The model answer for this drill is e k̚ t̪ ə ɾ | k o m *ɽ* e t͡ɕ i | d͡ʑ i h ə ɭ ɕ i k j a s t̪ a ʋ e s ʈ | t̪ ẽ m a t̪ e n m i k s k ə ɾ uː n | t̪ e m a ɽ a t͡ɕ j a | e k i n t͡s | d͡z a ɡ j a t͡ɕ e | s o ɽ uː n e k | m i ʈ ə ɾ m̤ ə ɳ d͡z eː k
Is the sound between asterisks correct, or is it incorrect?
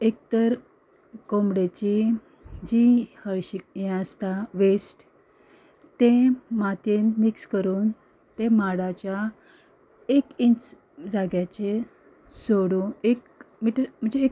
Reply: correct